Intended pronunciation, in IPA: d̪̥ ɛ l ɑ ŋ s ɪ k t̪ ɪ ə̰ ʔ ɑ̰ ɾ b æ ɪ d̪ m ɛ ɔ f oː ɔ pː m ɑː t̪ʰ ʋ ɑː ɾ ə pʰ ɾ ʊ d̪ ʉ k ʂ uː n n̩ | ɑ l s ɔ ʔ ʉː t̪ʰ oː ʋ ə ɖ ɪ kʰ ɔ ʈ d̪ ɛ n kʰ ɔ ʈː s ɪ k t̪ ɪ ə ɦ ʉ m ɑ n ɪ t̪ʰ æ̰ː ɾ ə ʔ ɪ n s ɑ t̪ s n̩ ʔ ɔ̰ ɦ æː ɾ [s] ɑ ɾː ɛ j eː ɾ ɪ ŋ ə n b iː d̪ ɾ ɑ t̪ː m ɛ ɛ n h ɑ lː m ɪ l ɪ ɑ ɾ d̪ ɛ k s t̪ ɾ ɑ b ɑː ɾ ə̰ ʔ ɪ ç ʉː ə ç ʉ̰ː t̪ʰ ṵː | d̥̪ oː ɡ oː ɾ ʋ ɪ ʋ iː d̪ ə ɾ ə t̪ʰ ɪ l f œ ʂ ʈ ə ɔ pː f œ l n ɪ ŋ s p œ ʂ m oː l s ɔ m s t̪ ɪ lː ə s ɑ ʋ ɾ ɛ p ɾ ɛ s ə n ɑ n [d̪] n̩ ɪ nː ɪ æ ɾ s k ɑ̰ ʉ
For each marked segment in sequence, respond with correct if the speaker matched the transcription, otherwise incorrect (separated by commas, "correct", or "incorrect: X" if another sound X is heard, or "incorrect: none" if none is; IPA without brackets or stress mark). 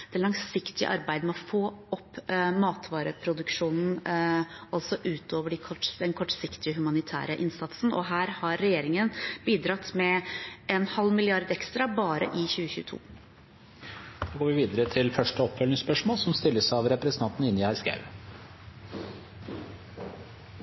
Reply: incorrect: h, incorrect: t̪